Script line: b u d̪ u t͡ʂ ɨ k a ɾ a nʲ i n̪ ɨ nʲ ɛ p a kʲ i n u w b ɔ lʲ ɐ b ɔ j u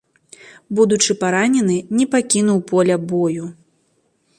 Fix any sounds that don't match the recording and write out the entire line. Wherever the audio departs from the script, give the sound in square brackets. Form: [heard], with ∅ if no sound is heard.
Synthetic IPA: b u d̪ u t͡ʂ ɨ [p] a ɾ a nʲ [ɛ] n̪ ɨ nʲ ɛ p a kʲ i n u w [p] ɔ lʲ ɐ b ɔ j u